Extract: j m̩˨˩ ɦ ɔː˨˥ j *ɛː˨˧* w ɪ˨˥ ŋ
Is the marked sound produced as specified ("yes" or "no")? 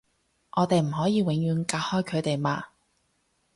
no